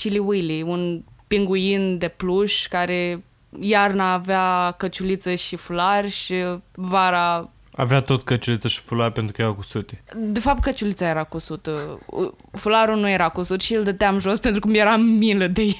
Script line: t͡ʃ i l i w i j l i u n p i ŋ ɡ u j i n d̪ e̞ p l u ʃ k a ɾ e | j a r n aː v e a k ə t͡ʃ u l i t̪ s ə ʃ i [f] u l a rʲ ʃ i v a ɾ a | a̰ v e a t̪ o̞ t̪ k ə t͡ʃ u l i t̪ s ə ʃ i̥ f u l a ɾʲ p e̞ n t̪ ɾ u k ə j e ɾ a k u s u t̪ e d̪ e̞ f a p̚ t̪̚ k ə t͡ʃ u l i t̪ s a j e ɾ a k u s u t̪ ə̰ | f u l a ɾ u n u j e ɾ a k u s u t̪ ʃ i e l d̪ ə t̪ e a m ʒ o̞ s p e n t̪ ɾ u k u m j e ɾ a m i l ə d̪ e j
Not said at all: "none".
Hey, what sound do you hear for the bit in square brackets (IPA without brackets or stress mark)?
f